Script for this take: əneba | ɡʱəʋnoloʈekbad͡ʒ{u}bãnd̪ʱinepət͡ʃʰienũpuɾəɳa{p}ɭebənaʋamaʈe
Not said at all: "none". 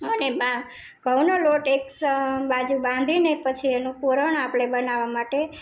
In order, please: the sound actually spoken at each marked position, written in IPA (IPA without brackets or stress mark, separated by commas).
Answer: u, p